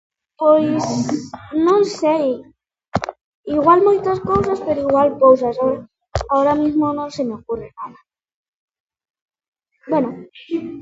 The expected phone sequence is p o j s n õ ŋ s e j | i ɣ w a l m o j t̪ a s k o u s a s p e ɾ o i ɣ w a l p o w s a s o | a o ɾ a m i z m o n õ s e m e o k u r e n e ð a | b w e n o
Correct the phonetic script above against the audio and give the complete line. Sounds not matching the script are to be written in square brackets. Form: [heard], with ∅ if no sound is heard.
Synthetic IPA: p o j s n õ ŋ s e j | i ɣ w a l m o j t̪ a s k o [w] s a s p e ɾ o i ɣ w a l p o w s a s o | a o ɾ a m i z m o n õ s e m e o k u r e n [a] ð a | b w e n o